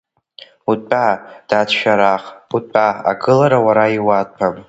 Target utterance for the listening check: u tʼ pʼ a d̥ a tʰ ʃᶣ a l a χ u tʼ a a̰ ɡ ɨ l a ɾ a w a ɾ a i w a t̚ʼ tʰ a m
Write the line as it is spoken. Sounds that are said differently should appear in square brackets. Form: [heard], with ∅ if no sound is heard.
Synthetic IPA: u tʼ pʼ a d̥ a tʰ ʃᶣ a [ɾ] a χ u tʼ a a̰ ɡ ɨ l a ɾ a w a ɾ a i w a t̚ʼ [pʰ] a m